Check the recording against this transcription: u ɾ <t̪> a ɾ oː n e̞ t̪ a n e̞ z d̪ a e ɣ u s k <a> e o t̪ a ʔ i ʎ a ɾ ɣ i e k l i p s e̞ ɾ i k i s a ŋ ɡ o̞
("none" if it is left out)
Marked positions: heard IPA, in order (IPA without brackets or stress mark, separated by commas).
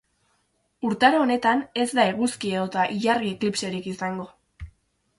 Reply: t̪, i